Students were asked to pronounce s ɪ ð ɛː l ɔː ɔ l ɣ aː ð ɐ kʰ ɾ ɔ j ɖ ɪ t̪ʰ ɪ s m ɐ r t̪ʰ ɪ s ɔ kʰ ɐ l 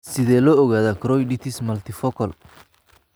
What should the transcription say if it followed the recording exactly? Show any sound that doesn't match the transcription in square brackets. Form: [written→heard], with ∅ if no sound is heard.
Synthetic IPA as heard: s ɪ ð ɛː l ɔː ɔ [l→∅] ɣ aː ð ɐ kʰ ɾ ɔ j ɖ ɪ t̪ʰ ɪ s m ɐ [r→l] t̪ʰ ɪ [s→f] ɔ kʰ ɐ l